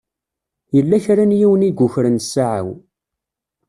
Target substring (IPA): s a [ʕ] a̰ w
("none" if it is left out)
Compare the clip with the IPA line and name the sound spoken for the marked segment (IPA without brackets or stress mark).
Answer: ʕ